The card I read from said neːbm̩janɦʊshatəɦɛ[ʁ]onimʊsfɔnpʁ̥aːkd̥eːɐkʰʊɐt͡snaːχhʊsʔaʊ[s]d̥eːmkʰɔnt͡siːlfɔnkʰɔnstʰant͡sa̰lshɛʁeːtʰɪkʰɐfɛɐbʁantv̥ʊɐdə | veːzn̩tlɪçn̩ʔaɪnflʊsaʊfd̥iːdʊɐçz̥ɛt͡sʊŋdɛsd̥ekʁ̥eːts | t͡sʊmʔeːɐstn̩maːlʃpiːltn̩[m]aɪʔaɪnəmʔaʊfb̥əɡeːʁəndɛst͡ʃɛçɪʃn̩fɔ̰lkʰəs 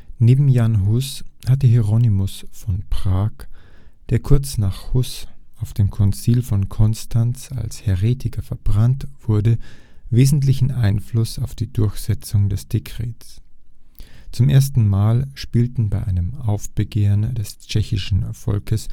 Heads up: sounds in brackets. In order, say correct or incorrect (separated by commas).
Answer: correct, incorrect, incorrect